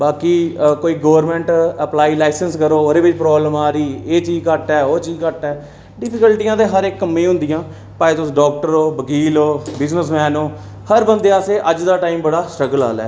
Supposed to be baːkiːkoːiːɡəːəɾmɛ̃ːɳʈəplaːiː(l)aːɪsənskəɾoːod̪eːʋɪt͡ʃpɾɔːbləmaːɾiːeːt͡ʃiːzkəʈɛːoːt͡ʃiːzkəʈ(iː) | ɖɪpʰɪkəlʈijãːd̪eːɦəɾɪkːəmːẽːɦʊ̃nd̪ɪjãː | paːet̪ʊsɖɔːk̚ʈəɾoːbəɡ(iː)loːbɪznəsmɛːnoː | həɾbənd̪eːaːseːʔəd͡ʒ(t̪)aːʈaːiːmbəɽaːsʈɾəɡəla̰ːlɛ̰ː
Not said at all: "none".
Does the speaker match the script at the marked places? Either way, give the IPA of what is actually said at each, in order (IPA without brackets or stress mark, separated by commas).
l, ɛː, iː, d̪